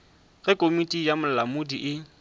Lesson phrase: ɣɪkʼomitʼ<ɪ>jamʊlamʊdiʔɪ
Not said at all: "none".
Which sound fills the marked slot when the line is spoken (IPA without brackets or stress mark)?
i